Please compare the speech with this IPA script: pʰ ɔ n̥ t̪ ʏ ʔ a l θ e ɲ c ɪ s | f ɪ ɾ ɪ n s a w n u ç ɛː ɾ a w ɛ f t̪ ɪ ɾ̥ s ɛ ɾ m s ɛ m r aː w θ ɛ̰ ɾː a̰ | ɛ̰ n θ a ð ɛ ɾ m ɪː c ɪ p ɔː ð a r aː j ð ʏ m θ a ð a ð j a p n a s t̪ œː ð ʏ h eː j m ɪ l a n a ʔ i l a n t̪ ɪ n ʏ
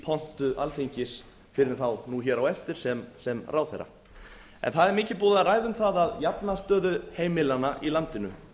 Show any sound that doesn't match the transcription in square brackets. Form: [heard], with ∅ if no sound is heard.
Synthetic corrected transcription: pʰ ɔ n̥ t̪ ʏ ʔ a l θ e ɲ c ɪ s | f ɪ ɾ ɪ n [θ] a w n u ç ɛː ɾ a w ɛ f t̪ ɪ ɾ̥ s ɛ [∅] m s ɛ m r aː w θ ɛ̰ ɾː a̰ | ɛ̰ n θ a ð ɛ ɾ m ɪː c ɪ p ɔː ð a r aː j ð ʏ m θ a ð a ð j a p n a s t̪ œː ð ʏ h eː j m ɪ l a n a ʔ i l a n t̪ ɪ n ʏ